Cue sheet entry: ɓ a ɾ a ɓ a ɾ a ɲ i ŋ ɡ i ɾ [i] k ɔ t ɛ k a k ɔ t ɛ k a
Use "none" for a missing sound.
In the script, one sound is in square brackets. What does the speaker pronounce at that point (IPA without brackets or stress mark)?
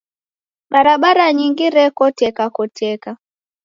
ɛ